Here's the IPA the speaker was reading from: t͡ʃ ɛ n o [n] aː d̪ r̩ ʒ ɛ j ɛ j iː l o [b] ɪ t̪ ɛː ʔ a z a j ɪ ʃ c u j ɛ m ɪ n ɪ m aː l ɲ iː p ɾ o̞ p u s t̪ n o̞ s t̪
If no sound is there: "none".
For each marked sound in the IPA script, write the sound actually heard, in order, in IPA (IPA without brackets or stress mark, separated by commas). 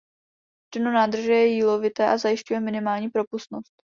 n, v